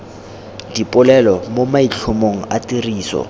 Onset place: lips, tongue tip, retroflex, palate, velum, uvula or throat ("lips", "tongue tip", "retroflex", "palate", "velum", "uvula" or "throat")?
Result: tongue tip